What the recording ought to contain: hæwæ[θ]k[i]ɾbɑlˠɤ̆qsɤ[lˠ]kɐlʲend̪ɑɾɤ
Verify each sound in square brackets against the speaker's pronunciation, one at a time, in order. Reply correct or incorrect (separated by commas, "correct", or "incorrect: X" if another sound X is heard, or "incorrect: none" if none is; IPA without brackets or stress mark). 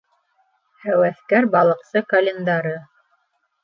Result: correct, incorrect: æ, incorrect: none